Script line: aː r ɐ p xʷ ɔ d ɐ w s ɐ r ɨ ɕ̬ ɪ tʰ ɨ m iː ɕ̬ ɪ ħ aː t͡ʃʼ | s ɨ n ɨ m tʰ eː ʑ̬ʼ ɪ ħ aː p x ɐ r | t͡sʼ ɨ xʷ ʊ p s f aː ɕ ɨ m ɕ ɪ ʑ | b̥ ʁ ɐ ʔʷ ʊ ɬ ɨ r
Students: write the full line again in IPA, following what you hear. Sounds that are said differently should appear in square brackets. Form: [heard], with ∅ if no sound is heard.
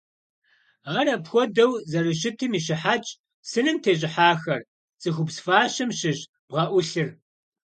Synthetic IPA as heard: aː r ɐ p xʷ ɔ d ɐ w [z] ɐ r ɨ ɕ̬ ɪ tʰ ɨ m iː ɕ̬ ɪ ħ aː t͡ʃʼ | s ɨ n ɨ m tʰ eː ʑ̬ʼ ɪ ħ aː [∅] x ɐ r | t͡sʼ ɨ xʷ ʊ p s f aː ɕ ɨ m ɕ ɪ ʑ | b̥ ʁ ɐ ʔʷ ʊ ɬ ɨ r